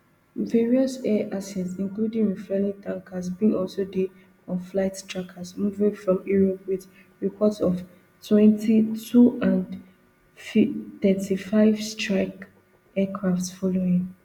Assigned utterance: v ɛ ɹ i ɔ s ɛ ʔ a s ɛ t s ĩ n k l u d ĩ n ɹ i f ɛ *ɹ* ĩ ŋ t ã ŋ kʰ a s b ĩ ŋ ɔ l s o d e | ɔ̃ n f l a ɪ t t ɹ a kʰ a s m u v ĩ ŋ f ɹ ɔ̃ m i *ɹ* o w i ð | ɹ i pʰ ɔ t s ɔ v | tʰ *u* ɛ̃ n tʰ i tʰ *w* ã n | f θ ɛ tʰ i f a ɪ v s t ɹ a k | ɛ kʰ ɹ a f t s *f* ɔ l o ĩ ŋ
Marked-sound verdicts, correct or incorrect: incorrect, correct, incorrect, incorrect, correct

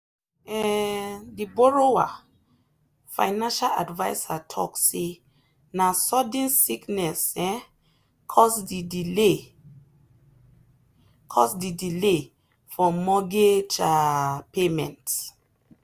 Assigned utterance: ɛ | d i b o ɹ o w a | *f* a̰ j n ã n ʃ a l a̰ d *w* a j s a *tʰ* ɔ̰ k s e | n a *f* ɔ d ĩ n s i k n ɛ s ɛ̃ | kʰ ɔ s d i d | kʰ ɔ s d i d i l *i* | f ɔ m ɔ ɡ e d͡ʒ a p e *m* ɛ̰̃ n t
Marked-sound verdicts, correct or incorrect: correct, incorrect, correct, incorrect, incorrect, correct

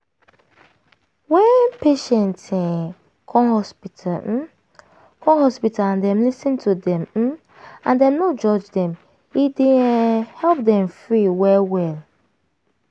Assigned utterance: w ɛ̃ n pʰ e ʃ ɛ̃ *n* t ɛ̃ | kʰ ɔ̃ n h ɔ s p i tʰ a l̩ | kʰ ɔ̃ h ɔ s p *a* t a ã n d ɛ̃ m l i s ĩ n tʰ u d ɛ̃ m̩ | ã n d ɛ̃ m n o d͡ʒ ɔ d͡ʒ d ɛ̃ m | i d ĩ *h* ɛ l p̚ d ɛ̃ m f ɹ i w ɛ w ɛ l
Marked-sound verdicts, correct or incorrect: correct, incorrect, correct

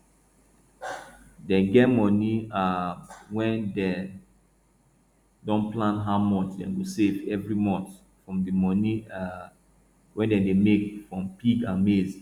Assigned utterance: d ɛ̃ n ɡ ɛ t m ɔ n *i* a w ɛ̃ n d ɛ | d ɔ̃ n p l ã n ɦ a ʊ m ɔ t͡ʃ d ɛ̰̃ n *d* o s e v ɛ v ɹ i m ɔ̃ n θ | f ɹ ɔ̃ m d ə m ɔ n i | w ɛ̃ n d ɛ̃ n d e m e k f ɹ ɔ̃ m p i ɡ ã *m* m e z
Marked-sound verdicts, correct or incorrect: correct, incorrect, incorrect

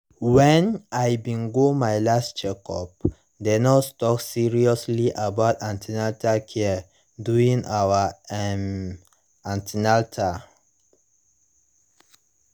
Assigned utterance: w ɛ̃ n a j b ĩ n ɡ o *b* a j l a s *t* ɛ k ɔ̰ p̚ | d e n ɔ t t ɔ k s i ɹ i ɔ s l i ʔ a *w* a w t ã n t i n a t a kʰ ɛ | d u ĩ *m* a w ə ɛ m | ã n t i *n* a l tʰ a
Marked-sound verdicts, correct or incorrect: incorrect, incorrect, incorrect, incorrect, correct

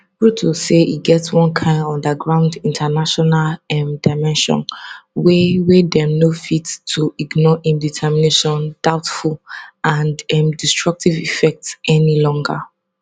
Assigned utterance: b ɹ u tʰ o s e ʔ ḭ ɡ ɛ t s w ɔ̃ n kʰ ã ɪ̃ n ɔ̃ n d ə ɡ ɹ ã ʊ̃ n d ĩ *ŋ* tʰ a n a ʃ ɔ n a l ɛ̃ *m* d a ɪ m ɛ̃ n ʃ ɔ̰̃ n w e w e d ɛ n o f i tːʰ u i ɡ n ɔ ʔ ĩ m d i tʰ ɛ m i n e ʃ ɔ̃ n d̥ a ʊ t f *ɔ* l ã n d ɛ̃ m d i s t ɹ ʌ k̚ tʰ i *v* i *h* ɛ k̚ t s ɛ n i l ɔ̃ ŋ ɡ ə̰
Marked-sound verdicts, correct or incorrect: incorrect, correct, incorrect, correct, incorrect

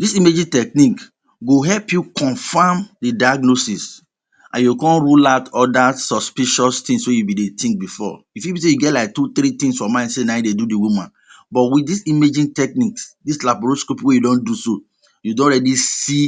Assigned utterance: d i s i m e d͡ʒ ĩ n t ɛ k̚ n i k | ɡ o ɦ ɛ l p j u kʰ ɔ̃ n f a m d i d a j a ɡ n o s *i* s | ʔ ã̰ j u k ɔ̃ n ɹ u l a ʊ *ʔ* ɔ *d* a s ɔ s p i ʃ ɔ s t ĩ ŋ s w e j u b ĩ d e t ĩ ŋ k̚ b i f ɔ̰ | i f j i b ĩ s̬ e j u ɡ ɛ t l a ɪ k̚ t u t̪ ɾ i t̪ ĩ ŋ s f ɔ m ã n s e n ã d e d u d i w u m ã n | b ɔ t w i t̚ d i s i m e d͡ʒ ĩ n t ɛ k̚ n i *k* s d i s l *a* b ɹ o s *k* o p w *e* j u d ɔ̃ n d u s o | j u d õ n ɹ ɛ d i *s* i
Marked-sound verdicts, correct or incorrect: correct, incorrect, correct, correct, correct, correct, correct, correct

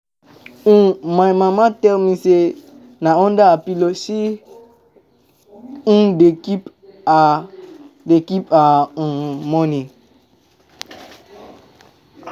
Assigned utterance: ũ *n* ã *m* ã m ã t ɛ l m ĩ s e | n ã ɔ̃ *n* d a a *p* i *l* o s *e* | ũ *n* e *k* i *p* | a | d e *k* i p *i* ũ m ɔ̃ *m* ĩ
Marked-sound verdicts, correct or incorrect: incorrect, correct, correct, correct, correct, incorrect, incorrect, correct, correct, correct, incorrect, incorrect

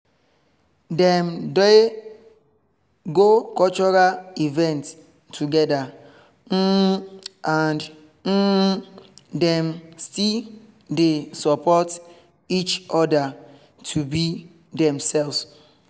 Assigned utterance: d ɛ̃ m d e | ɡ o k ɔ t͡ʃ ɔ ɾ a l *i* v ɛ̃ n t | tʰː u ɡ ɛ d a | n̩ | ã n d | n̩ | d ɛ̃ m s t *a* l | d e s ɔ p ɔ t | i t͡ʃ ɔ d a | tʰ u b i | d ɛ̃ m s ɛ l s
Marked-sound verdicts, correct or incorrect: correct, incorrect

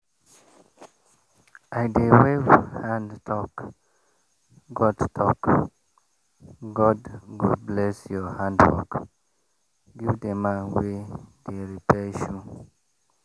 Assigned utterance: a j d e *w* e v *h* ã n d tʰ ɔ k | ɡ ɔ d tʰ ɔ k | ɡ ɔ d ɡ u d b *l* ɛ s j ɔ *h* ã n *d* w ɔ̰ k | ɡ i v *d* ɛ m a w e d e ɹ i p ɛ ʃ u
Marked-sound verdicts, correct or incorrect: correct, correct, correct, correct, correct, correct

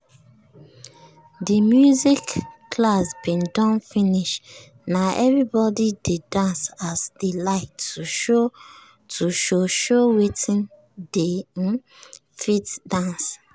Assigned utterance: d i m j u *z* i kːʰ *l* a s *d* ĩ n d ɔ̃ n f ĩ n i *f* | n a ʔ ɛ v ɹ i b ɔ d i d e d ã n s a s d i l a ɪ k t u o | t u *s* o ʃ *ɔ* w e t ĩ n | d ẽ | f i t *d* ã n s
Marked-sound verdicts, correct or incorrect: correct, correct, incorrect, incorrect, incorrect, incorrect, correct

